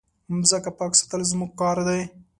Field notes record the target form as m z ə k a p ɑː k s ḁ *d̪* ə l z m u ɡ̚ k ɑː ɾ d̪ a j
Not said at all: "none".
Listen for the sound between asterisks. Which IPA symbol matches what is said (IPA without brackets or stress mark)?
t̪